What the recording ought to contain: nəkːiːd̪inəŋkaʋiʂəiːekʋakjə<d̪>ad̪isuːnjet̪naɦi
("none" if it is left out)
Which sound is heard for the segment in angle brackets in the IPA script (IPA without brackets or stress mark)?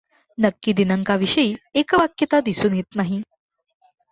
t̪